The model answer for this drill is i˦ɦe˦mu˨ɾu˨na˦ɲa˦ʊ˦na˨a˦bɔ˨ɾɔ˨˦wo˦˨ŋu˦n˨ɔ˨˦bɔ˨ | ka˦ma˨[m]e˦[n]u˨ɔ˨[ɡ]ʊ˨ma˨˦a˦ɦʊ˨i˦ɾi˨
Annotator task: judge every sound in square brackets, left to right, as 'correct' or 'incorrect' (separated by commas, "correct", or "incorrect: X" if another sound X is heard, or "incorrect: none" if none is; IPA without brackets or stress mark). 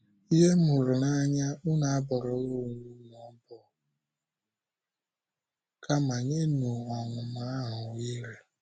incorrect: ɲ, correct, incorrect: ŋ